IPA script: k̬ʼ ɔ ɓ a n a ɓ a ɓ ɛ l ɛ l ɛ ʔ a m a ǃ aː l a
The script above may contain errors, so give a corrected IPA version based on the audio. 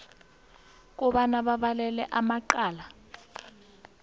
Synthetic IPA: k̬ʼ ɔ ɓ a n a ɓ a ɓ a l ɛ l ɛ ʔ a m a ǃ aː l a